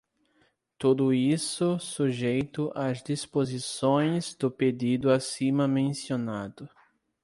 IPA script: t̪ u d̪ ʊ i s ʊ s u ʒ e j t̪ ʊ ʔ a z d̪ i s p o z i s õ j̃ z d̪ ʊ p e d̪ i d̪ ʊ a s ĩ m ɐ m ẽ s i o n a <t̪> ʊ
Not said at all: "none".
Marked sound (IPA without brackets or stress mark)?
d̪